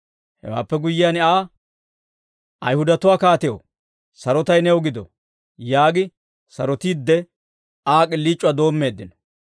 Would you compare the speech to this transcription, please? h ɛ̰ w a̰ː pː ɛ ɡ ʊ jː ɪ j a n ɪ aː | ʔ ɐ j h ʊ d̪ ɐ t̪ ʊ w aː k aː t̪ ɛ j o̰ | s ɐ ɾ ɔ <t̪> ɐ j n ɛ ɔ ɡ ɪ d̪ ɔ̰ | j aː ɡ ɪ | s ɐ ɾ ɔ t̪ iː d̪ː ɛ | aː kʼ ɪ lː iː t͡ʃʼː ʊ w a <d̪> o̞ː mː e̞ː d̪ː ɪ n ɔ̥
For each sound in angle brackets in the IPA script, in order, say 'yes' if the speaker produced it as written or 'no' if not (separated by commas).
yes, yes